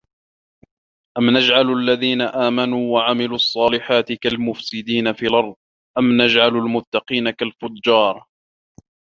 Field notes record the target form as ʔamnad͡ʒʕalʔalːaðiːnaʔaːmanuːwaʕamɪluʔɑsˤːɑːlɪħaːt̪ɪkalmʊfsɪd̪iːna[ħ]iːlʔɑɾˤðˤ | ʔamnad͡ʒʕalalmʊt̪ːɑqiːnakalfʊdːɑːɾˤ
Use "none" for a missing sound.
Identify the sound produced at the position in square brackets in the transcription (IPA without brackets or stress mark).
f